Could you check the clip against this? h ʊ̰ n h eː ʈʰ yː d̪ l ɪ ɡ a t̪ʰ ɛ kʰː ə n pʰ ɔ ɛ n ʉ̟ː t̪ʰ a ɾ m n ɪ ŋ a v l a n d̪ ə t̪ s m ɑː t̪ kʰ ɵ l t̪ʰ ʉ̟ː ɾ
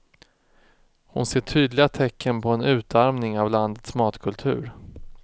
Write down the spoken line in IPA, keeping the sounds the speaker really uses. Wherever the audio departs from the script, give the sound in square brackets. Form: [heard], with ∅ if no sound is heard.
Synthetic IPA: h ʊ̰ n [s] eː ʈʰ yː d̪ l ɪ ɡ a t̪ʰ ɛ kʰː ə n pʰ ɔ ɛ n ʉ̟ː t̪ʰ a ɾ m n ɪ ŋ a v l a n d̪ ə t̪ s m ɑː t̪ kʰ ɵ l t̪ʰ ʉ̟ː ɾ